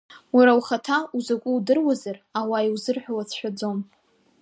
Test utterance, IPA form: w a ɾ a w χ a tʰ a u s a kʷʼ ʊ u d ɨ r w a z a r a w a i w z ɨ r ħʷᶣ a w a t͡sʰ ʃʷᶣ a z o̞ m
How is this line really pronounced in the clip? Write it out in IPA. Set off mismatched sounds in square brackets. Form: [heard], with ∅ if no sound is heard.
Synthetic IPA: w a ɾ a w χ a tʰ a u [z] a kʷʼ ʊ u d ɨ r w a z a r a w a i w z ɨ r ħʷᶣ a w a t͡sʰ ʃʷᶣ a [d͡z] o̞ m